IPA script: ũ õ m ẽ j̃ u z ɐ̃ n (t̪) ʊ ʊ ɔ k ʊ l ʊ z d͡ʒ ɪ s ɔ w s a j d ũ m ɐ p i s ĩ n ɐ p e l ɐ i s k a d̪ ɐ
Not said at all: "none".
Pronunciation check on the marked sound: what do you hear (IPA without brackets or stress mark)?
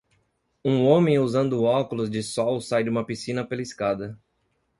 d̪